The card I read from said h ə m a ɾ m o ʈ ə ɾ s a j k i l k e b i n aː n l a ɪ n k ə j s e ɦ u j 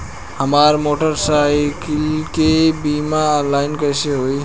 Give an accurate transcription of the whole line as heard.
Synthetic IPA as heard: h ə m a ɾ m o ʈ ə ɾ s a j k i l k e b i m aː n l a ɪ n k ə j s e ɦ o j